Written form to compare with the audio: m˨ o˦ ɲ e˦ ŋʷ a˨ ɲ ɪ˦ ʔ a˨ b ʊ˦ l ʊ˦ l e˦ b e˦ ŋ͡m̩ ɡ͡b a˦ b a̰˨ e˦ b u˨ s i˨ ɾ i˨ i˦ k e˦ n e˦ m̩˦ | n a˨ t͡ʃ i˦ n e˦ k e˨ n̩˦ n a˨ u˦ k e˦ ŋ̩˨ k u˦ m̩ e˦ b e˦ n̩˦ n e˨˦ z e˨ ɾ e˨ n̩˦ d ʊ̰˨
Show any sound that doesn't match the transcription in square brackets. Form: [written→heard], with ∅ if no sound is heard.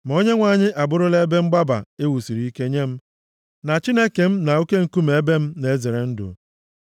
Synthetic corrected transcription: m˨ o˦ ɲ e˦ ŋʷ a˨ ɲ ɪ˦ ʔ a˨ b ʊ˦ [l→ɾ] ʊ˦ l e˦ b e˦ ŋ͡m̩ ɡ͡b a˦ b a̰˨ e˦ [b→w] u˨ s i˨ ɾ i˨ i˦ k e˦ [n→ɲ] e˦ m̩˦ | n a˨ t͡ʃ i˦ n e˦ k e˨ [n̩˦→m̩˦] n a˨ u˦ k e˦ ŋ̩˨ k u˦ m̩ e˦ b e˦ [n̩˦→m̩˦] n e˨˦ z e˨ ɾ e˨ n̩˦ d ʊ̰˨

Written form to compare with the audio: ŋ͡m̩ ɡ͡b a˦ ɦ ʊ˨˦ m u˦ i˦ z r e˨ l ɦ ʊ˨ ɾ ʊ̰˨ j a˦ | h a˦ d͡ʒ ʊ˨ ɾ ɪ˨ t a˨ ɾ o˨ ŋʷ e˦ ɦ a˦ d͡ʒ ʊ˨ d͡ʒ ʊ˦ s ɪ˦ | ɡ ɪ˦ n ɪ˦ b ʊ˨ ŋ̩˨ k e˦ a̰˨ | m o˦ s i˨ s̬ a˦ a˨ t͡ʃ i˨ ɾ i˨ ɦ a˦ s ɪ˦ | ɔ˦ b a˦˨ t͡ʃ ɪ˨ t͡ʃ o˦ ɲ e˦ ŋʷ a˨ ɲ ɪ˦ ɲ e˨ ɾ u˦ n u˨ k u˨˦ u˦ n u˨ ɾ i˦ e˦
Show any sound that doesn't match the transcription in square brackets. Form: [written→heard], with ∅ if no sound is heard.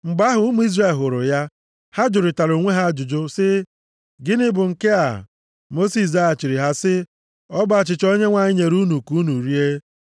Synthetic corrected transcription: ŋ͡m̩ ɡ͡b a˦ ɦ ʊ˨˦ m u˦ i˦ z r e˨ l ɦ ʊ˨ ɾ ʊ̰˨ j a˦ | h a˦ d͡ʒ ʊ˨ ɾ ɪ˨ t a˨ ɾ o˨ ŋʷ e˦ ɦ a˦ d͡ʒ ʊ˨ d͡ʒ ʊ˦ s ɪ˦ | ɡ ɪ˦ n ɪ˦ b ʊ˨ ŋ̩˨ k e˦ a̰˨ | m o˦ s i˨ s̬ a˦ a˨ t͡ʃ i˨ ɾ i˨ ɦ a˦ s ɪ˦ | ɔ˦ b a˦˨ t͡ʃ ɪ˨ t͡ʃ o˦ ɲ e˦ ŋʷ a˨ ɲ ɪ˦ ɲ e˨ ɾ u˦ n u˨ k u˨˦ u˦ n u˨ ɾ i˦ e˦

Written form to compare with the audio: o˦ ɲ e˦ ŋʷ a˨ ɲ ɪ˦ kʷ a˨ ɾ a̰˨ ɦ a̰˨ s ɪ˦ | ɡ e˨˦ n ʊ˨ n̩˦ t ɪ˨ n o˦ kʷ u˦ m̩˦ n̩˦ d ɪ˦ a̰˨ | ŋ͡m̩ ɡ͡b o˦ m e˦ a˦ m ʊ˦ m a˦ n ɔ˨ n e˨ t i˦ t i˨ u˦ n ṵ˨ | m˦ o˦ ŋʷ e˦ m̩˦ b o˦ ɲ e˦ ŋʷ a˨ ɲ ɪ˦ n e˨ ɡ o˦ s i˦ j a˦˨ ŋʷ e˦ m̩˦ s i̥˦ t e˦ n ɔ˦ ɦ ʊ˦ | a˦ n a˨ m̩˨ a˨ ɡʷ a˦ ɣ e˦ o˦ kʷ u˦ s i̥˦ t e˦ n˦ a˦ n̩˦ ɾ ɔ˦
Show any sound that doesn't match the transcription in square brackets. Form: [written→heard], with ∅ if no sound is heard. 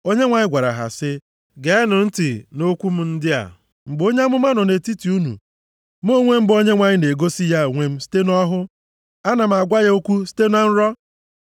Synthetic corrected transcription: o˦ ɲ e˦ ŋʷ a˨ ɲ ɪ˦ [kʷ→ɡʷ] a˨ ɾ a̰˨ ɦ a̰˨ s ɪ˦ | ɡ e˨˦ n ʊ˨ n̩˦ t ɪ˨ n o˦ kʷ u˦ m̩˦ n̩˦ d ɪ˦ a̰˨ | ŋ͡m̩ ɡ͡b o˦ [m→ɲ] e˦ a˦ m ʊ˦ m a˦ n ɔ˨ n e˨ t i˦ t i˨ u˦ n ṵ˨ | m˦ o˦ ŋʷ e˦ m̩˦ b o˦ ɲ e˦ ŋʷ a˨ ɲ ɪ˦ n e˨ ɡ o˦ s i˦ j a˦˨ ŋʷ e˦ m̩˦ s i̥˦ t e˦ n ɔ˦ ɦ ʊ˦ | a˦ n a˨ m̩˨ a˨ ɡʷ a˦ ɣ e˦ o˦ kʷ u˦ s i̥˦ t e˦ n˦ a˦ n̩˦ ɾ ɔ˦

